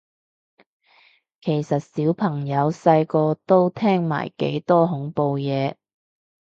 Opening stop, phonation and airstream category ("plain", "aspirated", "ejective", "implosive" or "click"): aspirated